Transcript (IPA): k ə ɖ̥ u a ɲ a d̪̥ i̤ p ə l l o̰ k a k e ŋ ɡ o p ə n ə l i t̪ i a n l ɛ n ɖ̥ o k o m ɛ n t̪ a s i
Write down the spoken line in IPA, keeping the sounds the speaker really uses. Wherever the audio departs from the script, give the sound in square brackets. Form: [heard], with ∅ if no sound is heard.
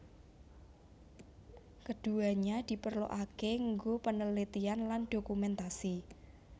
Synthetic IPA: k ə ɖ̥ u a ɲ a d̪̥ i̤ p ə [r] l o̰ [ʔ] a k e ŋ ɡ o p ə n ə l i t̪ i a n l [a] n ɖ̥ o k [u] m ɛ n t̪ a s i